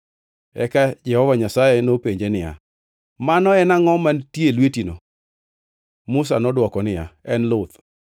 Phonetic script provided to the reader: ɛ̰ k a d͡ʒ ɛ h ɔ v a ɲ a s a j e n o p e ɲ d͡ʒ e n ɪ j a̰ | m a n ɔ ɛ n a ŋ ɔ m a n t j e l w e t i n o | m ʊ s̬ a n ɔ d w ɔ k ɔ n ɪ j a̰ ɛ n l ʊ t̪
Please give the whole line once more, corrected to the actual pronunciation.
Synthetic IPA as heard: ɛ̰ k a d͡ʒ ɛ h ɔ v a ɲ a s a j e n o p e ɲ d͡ʒ e n ɪ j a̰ | m a n ɔ ɛ n a ŋ ɔ m a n t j e l w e t i n o | m ʊ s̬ a n ɔ d w ɔ k ɔ n ɪ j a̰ ɛ n l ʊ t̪